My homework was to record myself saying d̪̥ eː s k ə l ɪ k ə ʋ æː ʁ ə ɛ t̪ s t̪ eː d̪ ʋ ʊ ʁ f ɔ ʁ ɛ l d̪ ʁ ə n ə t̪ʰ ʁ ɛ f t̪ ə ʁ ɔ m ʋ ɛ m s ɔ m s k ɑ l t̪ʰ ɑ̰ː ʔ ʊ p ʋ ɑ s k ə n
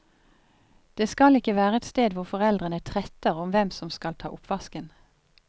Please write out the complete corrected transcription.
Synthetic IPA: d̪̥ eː s k ɑ l ɪ k ə ʋ æː ʁ ə ɛ t̪ s t̪ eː d̪ ʋ ʊ ʁ f ɔ ʁ ɛ l d̪ ʁ ə n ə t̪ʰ ʁ ɛ t̪ ə ʁ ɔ m ʋ ɛ m s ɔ m s k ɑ l t̪ʰ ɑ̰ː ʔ ʊ p ʋ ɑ s k ə n